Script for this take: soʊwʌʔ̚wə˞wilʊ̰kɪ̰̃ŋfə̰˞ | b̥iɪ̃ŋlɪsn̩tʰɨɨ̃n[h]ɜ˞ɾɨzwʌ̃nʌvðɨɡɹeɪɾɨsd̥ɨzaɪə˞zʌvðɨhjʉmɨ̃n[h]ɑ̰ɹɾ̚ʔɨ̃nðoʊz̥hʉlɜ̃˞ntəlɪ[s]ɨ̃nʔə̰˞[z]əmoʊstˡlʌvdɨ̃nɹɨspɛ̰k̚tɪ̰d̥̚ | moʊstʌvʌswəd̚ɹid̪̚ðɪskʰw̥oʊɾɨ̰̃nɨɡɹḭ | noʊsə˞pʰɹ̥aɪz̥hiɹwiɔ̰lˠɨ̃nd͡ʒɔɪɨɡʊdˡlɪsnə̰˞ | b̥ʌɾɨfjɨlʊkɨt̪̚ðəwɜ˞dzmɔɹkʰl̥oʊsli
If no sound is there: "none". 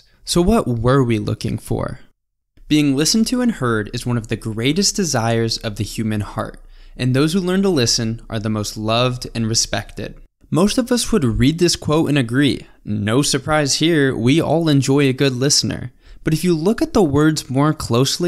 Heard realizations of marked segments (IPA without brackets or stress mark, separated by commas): h, h, s, ð